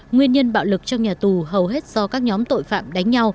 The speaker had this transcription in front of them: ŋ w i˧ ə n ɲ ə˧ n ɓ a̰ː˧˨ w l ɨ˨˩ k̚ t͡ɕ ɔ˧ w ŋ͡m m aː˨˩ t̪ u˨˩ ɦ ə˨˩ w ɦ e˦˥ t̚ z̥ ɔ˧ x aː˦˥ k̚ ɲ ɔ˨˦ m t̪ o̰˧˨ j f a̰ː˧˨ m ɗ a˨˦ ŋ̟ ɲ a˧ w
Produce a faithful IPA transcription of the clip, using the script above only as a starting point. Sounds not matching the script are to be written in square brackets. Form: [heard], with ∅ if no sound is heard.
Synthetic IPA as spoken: ŋ w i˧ ə n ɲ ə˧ n ɓ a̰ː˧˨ w l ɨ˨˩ k̚ t͡ɕ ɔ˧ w ŋ͡m [ɲ] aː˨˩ t̪ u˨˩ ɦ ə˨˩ w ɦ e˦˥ t̚ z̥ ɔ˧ [k] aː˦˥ k̚ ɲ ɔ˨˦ m t̪ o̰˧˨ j f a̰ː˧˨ m ɗ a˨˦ ŋ̟ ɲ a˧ w